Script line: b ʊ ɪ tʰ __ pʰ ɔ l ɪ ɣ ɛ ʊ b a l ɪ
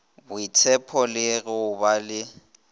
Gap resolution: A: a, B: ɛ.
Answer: B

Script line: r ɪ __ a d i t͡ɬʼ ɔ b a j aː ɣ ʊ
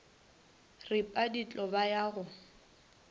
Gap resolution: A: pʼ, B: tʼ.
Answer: A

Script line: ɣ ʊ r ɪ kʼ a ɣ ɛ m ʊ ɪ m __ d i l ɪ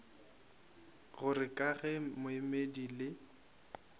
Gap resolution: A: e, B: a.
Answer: A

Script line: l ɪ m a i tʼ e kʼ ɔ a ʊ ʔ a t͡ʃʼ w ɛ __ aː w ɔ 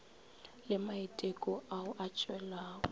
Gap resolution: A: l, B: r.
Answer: A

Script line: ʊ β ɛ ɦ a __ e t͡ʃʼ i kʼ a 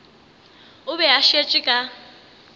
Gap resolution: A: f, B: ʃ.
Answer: B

